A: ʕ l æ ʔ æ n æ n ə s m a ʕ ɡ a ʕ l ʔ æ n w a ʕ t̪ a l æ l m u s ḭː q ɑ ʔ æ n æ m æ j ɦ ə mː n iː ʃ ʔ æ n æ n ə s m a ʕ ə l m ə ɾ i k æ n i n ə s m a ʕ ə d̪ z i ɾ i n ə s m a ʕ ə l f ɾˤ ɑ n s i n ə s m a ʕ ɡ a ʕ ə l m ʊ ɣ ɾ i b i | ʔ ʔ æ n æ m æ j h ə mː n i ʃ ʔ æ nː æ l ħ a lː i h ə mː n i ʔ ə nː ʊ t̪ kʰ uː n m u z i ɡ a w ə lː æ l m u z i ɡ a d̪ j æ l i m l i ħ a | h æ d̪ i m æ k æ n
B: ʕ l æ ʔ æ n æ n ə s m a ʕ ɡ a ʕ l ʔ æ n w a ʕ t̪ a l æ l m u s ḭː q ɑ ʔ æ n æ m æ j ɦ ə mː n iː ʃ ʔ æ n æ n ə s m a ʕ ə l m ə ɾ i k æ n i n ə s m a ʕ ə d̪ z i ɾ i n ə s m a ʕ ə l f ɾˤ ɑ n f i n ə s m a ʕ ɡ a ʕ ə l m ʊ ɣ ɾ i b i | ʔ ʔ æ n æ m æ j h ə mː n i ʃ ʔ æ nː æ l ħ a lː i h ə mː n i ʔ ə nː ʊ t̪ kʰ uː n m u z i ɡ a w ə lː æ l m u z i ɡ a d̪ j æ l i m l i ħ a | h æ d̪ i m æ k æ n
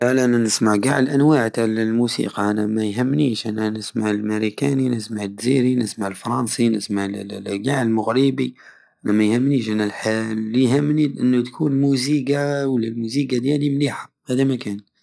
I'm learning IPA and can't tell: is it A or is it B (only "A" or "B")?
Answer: A